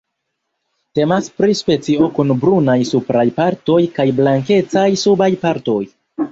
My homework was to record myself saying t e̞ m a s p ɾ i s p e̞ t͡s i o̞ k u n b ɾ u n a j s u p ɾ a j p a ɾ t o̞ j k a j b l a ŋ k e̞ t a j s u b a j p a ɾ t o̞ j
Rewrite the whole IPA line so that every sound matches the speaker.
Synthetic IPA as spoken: t e̞ m a s p ɾ i s p e̞ t͡s i o̞ k u n b ɾ u n a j s u p ɾ a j p a ɾ t o̞ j k a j b l a ŋ k e̞ t͡s a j s u b a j p a ɾ t o̞ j